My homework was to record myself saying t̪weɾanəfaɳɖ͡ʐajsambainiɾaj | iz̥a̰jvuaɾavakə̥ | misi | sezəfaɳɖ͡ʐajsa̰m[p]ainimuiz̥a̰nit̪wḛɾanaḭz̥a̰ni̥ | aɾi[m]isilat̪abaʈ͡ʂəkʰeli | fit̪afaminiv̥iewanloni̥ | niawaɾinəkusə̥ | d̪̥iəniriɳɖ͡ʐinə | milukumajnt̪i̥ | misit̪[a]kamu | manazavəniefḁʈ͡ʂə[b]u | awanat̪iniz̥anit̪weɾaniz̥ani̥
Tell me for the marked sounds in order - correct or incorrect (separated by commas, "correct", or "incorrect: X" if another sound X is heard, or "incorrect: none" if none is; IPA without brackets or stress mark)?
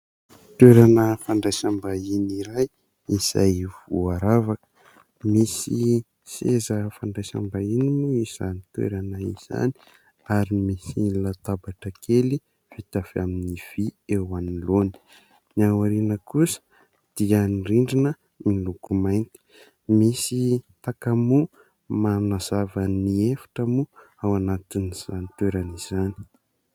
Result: incorrect: b, correct, correct, incorrect: m